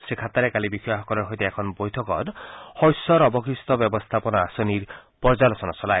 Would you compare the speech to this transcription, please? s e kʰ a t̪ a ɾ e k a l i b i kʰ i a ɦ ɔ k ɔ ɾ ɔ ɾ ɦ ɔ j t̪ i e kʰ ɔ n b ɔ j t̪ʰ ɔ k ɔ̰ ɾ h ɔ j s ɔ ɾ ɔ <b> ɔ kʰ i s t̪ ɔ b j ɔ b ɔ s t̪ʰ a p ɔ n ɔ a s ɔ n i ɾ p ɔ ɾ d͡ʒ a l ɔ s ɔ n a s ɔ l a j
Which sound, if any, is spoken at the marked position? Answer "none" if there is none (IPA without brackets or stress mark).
b